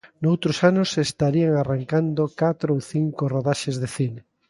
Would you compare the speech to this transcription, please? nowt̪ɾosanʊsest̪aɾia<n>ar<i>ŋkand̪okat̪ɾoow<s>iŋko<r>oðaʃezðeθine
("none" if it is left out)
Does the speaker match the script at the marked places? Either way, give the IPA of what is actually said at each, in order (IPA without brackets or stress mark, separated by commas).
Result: ŋ, a, θ, r